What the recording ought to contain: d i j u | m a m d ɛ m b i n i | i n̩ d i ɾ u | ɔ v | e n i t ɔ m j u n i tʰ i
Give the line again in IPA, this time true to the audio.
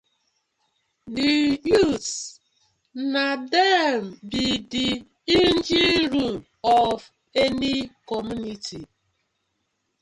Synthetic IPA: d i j u | n a d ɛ m b i d i | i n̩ d͡ʒ i ɾ u | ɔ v | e n i k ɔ m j u n i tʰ i